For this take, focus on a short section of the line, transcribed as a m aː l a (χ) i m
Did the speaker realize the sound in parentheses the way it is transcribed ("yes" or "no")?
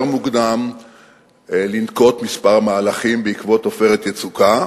yes